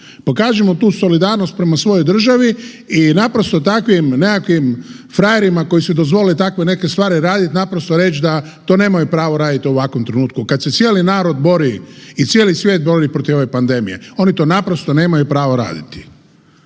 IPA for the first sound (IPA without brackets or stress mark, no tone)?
p